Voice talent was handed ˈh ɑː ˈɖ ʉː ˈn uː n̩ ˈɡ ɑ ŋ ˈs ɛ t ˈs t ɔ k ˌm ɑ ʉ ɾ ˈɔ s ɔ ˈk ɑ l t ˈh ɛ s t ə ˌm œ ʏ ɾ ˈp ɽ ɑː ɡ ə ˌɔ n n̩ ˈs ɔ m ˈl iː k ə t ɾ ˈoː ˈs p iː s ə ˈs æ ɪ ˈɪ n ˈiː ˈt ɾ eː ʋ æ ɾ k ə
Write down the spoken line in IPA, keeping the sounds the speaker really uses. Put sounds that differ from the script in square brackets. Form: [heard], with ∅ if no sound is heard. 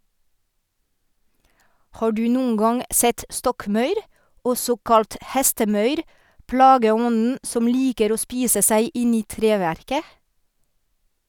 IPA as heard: ˈh ɑː ˈɖ ʉː ˈn uː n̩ ˈɡ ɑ ŋ ˈs ɛ t ˈs t ɔ k ˌm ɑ ʉ ɾ ˈɔ s ɔ ˈk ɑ l t ˈh ɛ s t ə ˌm œ ʏ ɾ ˈp ɽ ɑː ɡ ə ˌɔ n n̩ ˈs ɔ m ˈl iː k ə [∅] ɾ ˈoː ˈs p iː s ə ˈs æ ɪ ˈɪ n ˈiː ˈt ɾ eː ʋ æ ɾ k ə